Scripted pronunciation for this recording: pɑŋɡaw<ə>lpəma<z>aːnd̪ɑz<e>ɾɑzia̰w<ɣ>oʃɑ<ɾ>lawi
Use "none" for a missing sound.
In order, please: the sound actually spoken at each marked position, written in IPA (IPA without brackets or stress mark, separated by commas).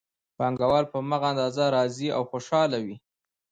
ɑ, ɣ, a, x, none